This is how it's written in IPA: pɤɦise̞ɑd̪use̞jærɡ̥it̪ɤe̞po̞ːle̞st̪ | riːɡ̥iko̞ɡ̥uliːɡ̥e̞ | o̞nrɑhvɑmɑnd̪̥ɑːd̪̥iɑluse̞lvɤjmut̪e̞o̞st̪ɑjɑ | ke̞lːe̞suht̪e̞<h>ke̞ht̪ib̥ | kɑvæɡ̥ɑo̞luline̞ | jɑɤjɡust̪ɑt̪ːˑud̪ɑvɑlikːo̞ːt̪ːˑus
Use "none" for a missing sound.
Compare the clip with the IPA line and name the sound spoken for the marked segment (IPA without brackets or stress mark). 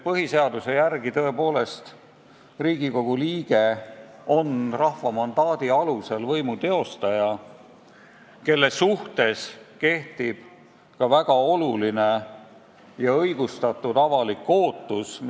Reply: s